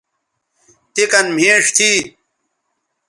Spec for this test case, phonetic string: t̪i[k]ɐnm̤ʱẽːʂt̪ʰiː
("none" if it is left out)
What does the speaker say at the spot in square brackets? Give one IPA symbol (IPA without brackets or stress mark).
k